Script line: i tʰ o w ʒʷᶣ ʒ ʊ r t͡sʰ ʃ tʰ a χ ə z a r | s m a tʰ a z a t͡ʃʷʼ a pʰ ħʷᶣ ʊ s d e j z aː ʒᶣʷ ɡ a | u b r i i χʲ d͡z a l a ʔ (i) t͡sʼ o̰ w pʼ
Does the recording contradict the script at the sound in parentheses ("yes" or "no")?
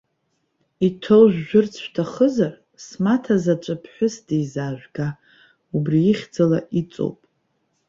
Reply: no